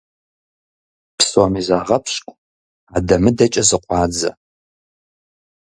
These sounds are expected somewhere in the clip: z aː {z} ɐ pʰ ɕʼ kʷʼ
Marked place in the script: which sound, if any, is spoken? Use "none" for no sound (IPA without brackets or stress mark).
ʁ